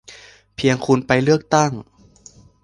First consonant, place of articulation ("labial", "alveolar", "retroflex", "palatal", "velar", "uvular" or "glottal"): labial